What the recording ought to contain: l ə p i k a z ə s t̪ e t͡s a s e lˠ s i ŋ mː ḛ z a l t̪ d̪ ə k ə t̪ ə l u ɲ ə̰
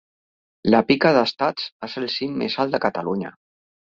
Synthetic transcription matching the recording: l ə p i k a ð ə s t̪ a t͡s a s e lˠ s i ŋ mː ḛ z a l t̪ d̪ ə k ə t̪ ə l u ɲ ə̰